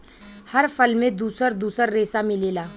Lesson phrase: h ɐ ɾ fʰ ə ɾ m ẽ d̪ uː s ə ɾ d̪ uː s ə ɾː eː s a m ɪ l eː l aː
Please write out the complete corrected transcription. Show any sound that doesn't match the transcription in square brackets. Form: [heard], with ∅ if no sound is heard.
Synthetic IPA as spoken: h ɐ ɾ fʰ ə [l] m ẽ d̪ uː s ə ɾ d̪ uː s ə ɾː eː s a m ɪ l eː l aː